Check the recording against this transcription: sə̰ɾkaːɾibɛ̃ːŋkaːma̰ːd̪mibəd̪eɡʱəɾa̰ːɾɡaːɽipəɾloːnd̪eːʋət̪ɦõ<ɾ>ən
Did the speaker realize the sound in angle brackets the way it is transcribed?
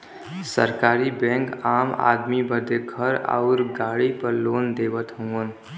no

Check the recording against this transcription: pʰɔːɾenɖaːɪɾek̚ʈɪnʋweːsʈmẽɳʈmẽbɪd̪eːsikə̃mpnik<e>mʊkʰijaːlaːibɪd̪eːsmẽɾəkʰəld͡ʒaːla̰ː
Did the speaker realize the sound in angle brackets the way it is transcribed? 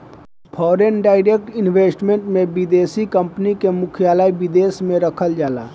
yes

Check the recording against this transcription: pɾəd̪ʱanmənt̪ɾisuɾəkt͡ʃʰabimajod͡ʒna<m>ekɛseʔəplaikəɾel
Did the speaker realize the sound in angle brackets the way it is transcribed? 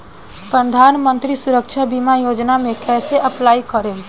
yes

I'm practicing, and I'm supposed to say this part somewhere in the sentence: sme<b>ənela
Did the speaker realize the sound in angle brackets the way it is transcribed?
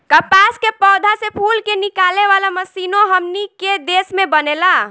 yes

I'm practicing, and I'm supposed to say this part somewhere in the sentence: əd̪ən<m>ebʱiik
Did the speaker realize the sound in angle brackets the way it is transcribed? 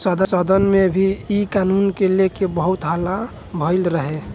yes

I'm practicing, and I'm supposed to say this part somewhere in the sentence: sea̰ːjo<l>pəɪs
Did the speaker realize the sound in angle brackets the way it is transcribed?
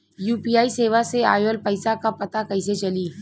yes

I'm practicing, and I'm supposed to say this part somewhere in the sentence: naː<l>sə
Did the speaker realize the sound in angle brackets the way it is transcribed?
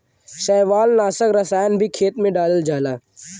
no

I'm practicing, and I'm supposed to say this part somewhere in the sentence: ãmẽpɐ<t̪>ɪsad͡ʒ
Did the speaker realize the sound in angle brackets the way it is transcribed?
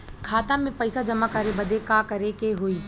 no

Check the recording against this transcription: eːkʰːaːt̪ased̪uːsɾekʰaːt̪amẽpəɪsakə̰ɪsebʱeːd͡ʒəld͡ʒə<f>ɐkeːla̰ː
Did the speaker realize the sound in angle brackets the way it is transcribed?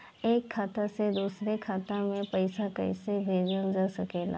no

